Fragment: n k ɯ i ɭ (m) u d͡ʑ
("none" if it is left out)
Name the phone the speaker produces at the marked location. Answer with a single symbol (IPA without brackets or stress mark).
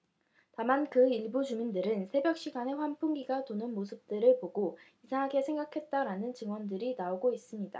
b